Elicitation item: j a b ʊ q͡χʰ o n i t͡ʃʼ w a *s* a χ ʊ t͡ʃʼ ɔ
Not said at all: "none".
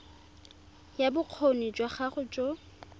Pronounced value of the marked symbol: χ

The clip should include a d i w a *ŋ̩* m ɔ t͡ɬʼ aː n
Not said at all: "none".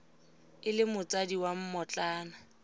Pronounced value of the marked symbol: m̩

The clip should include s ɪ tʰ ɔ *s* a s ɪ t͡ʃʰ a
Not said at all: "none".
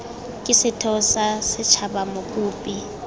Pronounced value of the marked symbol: s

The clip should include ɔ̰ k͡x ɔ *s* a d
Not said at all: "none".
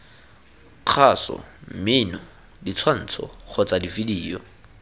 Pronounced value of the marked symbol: t͡s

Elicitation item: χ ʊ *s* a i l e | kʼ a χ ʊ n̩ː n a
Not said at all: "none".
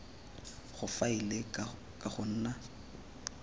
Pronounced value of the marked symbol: f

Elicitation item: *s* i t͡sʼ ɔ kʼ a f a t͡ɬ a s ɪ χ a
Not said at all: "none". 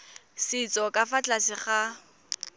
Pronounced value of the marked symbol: s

